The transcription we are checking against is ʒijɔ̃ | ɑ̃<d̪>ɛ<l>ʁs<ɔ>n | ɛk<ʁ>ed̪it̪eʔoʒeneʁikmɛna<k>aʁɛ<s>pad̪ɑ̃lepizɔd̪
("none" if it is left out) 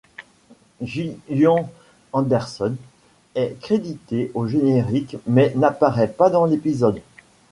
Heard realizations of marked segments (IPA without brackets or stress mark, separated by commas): d̪, none, ɔ, χ, p, none